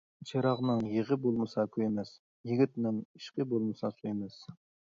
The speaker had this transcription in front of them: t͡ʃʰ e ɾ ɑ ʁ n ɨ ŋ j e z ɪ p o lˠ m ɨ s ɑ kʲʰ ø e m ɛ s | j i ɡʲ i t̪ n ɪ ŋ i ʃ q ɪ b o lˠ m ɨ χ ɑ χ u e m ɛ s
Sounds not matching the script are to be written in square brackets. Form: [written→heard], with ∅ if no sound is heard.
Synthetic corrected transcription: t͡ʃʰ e ɾ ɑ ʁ n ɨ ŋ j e [z→ʁ] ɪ [p→b] o lˠ m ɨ s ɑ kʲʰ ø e m ɛ s | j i ɡʲ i t̪ n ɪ ŋ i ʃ q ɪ b o lˠ m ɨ [χ→s] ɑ [χ→s] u e m ɛ s